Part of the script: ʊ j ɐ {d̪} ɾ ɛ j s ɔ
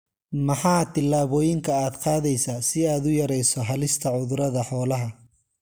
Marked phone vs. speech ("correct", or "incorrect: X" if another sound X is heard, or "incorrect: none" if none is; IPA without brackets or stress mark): incorrect: none